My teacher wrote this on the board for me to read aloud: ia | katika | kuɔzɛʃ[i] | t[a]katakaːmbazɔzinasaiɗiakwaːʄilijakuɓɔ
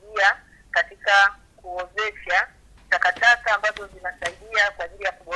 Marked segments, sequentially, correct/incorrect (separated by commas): incorrect, correct